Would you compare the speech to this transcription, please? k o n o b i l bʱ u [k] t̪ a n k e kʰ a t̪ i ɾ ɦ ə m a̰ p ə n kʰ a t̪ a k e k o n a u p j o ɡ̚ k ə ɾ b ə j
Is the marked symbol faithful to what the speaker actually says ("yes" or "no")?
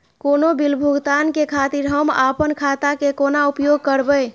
no